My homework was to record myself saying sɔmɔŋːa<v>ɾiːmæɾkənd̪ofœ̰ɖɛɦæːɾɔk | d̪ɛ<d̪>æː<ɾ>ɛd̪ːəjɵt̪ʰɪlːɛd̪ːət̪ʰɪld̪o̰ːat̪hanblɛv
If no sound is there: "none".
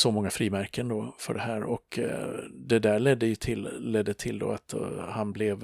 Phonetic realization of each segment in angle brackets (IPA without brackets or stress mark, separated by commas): f, d̪, ɭ